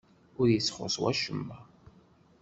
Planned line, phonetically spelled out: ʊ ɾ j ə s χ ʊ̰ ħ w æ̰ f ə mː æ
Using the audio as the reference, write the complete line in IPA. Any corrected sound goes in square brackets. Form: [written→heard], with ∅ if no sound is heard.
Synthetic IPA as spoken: ʊ ɾ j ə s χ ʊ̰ [ħ→s] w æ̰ [f→ʃ] ə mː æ